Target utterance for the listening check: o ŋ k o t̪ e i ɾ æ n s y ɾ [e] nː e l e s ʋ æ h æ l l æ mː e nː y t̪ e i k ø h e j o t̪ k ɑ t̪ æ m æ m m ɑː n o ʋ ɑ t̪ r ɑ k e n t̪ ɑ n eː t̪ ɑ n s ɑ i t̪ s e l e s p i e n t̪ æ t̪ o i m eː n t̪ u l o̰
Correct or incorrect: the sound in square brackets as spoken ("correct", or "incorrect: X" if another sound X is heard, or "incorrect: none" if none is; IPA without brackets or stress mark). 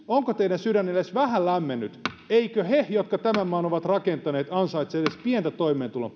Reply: incorrect: æ